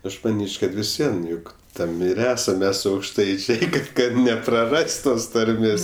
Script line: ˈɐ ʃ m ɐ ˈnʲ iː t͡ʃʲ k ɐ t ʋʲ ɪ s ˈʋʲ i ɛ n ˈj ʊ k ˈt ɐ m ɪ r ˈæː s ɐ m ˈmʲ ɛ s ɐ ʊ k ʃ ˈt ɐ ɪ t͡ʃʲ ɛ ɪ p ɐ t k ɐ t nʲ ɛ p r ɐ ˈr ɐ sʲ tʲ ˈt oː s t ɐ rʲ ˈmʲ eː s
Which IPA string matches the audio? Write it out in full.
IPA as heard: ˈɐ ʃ m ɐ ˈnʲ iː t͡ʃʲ k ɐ t ʋʲ ɪ s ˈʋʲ i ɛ n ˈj ʊ k ˈt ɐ m ɪ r ˈæː s ɐ m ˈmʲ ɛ s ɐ ʊ k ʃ ˈt ɐ ɪ t͡ʃʲ ɛ ɪ k ɐ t k ɐ t nʲ ɛ p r ɐ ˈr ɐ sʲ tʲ ˈt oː s t ɐ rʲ ˈmʲ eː s